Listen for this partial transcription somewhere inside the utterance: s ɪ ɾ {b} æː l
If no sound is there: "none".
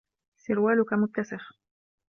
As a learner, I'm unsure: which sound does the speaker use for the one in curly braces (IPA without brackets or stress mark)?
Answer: w